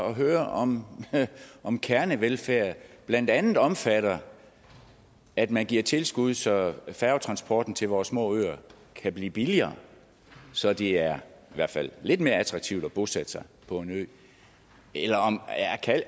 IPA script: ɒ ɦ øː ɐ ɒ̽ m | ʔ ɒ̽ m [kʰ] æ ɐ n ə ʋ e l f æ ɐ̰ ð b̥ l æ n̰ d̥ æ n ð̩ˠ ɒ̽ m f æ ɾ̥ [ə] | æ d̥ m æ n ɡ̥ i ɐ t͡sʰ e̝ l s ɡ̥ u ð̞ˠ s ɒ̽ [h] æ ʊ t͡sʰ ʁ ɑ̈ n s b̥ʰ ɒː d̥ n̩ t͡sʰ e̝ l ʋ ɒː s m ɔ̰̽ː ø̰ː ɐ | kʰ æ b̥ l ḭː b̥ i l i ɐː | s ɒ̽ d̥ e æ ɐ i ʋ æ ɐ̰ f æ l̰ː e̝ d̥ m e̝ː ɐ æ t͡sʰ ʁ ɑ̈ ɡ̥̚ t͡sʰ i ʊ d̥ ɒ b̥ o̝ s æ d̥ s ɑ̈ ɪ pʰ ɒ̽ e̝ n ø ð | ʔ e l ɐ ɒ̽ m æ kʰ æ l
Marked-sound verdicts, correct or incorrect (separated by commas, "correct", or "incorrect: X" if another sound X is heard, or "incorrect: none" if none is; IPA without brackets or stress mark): correct, incorrect: ɐ, incorrect: f